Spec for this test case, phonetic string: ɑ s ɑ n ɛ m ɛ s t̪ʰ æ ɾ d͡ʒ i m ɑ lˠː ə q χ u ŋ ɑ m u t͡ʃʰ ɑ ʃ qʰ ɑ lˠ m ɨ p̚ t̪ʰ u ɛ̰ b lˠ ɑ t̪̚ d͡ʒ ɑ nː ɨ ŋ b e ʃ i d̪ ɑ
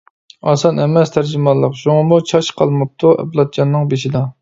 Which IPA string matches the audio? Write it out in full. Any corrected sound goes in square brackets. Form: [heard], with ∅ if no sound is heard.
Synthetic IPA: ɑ s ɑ n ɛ m ɛ s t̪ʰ æ ɾ d͡ʒ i m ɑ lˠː ə q [ʃ] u ŋ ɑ m u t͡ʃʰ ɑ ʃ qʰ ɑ lˠ m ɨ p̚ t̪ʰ u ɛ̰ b lˠ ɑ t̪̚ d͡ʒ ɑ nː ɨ ŋ b e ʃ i d̪ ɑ

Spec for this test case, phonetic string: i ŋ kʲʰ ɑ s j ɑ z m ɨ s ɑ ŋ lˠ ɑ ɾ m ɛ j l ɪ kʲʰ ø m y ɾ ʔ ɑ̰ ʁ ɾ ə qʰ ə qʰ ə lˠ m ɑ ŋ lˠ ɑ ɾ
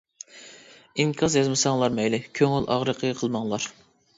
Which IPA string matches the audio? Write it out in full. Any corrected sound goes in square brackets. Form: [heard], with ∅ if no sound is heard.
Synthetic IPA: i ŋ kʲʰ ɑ [z] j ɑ z m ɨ s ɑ ŋ lˠ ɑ ɾ m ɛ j l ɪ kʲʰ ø [ŋ] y [l] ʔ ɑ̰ ʁ ɾ ə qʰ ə qʰ ə lˠ m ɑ ŋ lˠ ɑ ɾ

